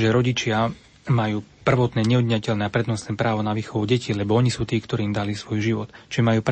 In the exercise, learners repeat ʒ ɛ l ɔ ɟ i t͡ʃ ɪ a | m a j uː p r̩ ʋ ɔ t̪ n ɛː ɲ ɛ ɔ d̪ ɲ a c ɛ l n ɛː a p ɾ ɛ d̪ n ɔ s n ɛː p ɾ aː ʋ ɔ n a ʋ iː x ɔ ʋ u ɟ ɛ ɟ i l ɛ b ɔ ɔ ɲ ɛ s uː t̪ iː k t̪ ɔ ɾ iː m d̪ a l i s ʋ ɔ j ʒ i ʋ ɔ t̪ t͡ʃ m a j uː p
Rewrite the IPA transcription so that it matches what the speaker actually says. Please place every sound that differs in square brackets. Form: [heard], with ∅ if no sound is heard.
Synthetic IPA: ʒ ɛ [ɾ] ɔ ɟ i t͡ʃ ɪ a | m a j uː p r̩ ʋ ɔ t̪ n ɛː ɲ ɛ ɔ d̪ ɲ a c ɛ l n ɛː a p ɾ ɛ d̪ n ɔ s n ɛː p ɾ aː ʋ ɔ n a ʋ iː x ɔ ʋ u ɟ ɛ [c] i l ɛ b ɔ ɔ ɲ [i] s uː t̪ iː k t̪ ɔ ɾ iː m d̪ a l i s ʋ ɔ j ʒ i ʋ ɔ t̪ t͡ʃ m a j uː p